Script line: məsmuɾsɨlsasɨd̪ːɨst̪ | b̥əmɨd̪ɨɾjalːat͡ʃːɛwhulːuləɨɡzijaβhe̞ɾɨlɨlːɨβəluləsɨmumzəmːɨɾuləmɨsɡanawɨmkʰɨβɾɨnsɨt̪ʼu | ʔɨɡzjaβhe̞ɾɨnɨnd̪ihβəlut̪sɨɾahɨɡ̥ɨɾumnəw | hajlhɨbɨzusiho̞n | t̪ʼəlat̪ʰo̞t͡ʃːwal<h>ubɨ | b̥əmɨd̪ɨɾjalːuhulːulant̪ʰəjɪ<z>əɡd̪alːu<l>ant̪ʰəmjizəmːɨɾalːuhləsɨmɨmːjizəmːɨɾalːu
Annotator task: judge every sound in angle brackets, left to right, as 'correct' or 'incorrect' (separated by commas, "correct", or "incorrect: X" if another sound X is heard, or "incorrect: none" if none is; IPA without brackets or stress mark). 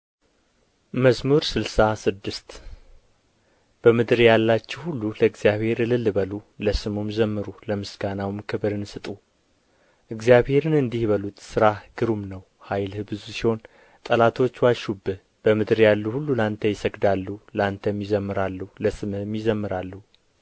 incorrect: ʃ, incorrect: s, correct